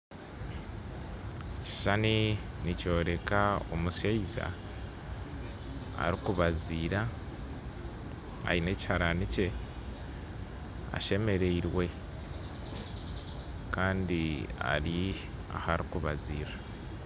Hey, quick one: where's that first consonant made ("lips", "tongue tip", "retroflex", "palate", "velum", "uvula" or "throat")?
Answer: palate